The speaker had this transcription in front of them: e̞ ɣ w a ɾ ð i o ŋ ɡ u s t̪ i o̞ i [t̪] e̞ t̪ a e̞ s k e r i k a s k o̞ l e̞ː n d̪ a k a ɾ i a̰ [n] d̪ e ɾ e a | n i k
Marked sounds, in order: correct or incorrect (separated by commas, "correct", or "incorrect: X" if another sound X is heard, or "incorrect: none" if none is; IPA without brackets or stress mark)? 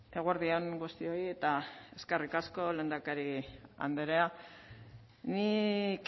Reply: incorrect: none, correct